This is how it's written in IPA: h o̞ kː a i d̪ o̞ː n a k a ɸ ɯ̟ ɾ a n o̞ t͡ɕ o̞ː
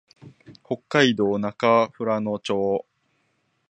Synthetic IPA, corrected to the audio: h o̞ kː a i d̪ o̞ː n a k a ɸ ɯ̟ ɾ a n o̞ t͡ɕ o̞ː